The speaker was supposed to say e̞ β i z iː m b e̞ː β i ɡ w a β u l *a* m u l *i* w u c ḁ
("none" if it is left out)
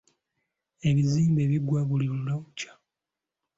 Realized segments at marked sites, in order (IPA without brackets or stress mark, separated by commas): i, a